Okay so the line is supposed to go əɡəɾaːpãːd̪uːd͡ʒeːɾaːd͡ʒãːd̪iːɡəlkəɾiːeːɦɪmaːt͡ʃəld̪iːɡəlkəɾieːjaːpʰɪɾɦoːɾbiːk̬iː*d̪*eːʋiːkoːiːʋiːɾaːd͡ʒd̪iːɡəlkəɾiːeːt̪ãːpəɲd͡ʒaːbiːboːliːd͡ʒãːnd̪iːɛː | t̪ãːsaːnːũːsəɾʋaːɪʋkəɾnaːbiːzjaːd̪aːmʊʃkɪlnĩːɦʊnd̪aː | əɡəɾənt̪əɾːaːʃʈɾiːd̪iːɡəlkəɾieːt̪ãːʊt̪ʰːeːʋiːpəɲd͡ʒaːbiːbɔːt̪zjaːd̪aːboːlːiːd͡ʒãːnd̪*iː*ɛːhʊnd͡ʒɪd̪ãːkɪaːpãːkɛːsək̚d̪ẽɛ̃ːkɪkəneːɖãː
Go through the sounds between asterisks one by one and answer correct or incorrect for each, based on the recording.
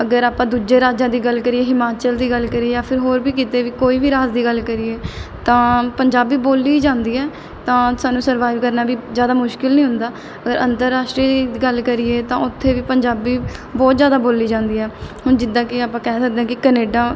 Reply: incorrect, correct

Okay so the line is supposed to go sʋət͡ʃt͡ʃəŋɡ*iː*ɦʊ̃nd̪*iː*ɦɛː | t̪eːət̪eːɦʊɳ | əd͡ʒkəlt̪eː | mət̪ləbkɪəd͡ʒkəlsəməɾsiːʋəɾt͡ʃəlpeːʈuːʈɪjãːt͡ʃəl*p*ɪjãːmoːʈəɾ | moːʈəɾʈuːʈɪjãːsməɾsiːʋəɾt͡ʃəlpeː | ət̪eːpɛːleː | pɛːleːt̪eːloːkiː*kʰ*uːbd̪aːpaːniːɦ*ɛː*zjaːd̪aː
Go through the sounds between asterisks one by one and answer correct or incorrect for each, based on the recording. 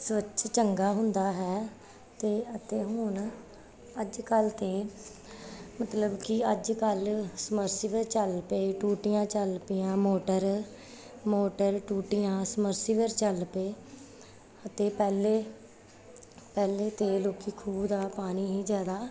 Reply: incorrect, incorrect, correct, correct, incorrect

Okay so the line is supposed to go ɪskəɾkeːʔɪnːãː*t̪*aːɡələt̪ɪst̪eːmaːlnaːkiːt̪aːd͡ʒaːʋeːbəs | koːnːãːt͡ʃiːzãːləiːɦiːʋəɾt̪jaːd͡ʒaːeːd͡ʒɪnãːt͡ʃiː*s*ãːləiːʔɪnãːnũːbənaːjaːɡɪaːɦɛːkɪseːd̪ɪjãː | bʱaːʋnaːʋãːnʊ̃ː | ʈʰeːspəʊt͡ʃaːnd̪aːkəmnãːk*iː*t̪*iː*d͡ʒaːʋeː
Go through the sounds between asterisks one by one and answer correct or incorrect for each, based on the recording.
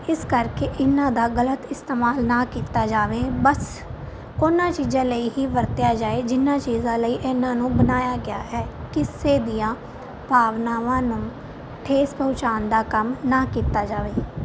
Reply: incorrect, incorrect, correct, incorrect

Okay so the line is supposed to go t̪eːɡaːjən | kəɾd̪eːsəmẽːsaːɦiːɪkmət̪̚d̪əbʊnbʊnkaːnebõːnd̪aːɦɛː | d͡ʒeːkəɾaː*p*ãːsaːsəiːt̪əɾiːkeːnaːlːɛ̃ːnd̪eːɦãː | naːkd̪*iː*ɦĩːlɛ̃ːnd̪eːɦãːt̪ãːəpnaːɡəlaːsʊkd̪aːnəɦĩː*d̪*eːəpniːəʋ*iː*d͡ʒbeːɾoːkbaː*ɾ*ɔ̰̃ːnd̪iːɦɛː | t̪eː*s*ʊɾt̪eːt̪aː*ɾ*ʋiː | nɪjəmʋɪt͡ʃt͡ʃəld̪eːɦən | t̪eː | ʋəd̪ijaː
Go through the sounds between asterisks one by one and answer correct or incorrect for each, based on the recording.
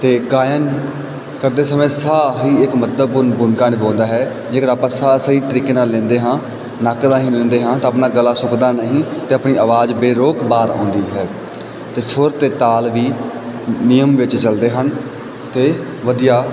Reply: correct, incorrect, incorrect, incorrect, correct, correct, incorrect

